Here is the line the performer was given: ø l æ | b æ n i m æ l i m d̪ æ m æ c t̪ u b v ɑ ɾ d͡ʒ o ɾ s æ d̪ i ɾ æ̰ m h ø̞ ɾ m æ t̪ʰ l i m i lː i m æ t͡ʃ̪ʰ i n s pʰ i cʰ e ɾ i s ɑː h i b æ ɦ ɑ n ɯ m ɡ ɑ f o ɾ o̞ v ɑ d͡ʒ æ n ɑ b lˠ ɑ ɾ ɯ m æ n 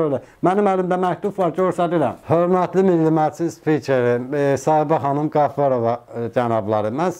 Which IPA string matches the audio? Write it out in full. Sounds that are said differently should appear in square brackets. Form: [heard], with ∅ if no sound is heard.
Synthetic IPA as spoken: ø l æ | [m] æ n i m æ l i m d̪ æ m æ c t̪ u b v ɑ ɾ d͡ʒ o ɾ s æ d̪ i ɾ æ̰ m h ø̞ ɾ m æ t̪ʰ l i m i lː i m æ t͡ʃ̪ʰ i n s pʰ i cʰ e ɾ i s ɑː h i b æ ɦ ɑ n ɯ m ɡ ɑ f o ɾ o̞ v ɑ d͡ʒ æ n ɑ b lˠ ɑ ɾ ɯ m æ n